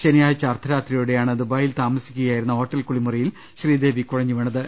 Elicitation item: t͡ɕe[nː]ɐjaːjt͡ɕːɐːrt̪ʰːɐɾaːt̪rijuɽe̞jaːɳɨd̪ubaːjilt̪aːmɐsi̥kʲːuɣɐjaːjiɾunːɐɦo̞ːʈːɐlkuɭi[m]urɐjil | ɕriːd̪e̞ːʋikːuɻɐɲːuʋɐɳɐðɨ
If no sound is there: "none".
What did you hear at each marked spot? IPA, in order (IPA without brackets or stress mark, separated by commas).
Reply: n, m